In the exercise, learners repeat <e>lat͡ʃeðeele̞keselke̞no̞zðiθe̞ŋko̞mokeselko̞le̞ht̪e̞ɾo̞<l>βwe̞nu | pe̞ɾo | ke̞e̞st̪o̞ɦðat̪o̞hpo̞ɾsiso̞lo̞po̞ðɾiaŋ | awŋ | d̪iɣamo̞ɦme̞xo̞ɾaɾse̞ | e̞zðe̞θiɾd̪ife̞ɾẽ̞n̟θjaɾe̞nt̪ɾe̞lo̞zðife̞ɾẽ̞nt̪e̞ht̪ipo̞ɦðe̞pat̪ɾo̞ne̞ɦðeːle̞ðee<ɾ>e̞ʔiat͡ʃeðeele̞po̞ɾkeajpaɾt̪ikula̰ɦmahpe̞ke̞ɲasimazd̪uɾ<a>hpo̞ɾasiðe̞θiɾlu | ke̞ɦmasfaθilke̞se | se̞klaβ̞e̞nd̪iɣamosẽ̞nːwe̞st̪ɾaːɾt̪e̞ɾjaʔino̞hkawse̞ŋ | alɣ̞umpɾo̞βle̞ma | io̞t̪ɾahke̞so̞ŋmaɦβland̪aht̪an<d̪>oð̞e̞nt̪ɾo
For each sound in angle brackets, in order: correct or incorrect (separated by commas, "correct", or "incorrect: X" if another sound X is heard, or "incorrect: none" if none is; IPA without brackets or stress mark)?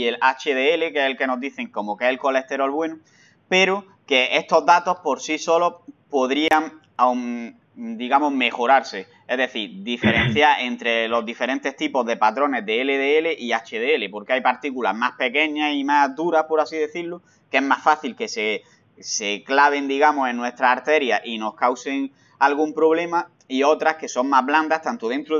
correct, correct, incorrect: l, correct, incorrect: t̪